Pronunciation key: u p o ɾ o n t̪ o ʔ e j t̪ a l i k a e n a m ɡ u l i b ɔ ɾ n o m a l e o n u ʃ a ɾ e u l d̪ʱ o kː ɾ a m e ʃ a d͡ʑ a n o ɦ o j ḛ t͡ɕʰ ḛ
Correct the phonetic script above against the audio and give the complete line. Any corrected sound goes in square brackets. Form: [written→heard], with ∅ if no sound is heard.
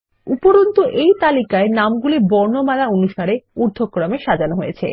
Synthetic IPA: u p o ɾ o n t̪ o ʔ e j t̪ a l i k a e n a m ɡ u l i b ɔ ɾ n o m a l [e→a] o n u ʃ a ɾ e u [l→ɾ] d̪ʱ o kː ɾ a m e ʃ a d͡ʑ a n o ɦ o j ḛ t͡ɕʰ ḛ